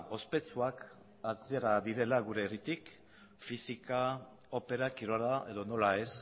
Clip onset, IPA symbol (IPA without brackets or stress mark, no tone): o̞